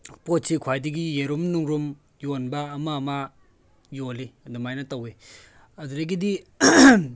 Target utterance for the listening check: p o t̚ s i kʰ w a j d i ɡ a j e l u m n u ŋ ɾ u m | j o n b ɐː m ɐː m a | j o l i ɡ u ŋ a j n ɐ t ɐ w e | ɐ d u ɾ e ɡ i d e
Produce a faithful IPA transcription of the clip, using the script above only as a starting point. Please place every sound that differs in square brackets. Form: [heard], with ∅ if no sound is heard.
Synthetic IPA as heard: p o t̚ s i kʰ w a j d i ɡ [i] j e [ɾ] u m n u ŋ ɾ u m | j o n b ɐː m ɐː m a | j o l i [d] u [m] a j n ɐ t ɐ w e | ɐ d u ɾ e ɡ i d [i]